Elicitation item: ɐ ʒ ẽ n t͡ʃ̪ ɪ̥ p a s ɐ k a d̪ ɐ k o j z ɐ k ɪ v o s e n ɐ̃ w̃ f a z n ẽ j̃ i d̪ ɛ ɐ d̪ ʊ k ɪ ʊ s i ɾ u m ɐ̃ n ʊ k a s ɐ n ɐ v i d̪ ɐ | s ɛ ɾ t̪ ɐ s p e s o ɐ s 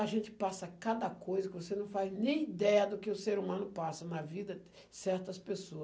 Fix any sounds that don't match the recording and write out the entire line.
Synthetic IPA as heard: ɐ ʒ ẽ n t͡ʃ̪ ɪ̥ p a s ɐ k a d̪ ɐ k o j z ɐ k ɪ v o s e n ɐ̃ w̃ f a z n ẽ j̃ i d̪ ɛ ɐ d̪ ʊ k ɪ ʊ s e ɾ u m ɐ̃ n ʊ p a s ɐ n ɐ v i d̪ ɐ | s ɛ ɾ t̪ ɐ s p e s o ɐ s